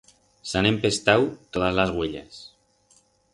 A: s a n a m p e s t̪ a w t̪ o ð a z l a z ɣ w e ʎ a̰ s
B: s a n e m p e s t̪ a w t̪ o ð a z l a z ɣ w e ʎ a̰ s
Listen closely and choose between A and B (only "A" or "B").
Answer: B